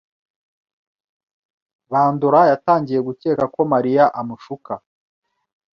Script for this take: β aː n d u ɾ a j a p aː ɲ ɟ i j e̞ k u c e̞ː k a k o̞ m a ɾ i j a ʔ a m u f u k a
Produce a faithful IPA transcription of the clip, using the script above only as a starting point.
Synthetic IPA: β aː n d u ɾ a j a t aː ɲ ɟ i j e̞ ɡ u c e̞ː k a k o̞ m a ɾ i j a ʔ a m u ʃ u k a